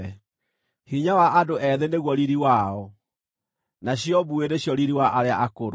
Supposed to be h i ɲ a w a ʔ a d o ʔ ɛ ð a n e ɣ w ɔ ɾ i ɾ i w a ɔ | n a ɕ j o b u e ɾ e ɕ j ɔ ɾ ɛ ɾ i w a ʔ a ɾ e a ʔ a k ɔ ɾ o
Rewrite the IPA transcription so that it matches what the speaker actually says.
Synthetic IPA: h i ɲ a w a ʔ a d o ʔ ɛ ð e n e ɣ w ɔ ɾ i ɾ i w a ɔ | n a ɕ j ɔ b u e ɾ e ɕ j ɔ ɾ i ɾ i w a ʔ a ɾ e a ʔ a k o ɾ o

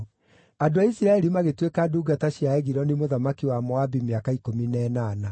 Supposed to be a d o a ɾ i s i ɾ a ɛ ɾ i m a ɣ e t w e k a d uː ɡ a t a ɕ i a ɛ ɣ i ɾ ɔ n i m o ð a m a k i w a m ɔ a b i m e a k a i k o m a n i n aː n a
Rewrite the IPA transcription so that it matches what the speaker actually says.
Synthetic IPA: a d o a i s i ɾ a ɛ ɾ i m a ɣ e t w e k a d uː ɡ a t a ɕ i a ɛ ɣ i ɾ ɔ n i m o ð a m a k i w a m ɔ a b i m e a k a i k o m i n ɛ n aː n a

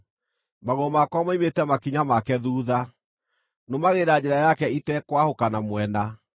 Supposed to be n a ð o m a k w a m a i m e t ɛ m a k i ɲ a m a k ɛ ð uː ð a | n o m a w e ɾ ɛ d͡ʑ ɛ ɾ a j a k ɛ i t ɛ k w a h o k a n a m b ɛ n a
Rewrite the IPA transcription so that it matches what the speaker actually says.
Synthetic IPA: m a ɣ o m a k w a m a i m e t ɛ m a k i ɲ a m a k ɛ ð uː ð a | n o m a ɣ e ɾ a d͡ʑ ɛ ɾ a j a k ɛ i t ɛ k w a h o k a n a m w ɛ n a

